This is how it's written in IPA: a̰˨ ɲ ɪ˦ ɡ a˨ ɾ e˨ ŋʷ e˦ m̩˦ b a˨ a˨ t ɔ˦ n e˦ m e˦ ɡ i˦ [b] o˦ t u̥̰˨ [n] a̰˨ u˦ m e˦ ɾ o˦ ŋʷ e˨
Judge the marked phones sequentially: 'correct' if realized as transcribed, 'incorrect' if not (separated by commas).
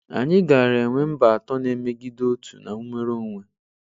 incorrect, correct